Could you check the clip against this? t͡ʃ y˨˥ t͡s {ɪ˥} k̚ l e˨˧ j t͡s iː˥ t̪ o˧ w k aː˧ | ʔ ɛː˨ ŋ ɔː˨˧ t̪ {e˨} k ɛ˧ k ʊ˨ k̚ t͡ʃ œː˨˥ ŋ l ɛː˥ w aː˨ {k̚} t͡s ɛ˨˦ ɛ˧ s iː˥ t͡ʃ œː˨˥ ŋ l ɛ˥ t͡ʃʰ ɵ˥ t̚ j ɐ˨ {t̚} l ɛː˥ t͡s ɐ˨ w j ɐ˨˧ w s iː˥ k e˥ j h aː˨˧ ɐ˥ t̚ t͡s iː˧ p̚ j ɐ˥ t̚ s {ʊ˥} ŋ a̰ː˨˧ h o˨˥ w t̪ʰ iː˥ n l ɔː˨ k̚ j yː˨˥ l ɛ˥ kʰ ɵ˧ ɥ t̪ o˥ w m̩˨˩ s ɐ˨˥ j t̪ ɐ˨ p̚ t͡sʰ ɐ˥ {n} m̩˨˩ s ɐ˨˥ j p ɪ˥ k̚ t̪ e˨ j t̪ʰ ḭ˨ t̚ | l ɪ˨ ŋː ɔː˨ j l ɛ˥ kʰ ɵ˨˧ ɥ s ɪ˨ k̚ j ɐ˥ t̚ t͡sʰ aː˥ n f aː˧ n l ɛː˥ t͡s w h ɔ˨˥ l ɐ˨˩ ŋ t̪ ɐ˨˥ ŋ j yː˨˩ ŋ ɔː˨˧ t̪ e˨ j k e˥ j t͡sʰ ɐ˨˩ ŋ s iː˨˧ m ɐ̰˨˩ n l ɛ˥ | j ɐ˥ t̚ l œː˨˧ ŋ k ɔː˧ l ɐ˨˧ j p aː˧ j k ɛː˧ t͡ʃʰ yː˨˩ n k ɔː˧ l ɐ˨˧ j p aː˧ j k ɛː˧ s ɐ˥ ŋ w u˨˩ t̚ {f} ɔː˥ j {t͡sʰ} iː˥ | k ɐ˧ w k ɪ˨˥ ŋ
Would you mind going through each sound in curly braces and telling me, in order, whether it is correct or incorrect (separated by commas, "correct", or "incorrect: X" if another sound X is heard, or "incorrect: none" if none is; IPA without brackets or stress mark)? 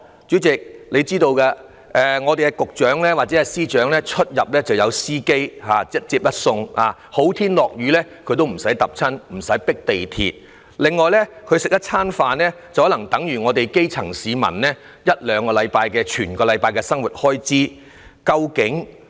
incorrect: ɪ˨, correct, incorrect: t̚, incorrect: p̚, incorrect: ʊ˧, correct, incorrect: h, incorrect: t͡s